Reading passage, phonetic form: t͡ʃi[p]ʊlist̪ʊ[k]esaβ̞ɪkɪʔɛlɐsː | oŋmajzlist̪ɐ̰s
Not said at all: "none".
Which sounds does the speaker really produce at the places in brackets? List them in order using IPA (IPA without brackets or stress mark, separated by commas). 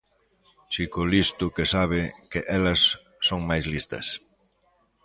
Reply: k, k